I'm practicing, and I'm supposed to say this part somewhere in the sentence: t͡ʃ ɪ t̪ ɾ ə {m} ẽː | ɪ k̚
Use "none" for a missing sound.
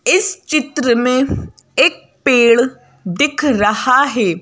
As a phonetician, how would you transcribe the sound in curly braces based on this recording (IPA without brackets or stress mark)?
m